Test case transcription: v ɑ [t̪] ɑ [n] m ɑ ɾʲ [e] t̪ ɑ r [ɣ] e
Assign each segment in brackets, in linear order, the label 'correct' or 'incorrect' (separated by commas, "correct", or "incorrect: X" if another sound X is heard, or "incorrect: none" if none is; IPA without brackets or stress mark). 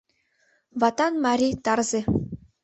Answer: correct, correct, incorrect: i, incorrect: z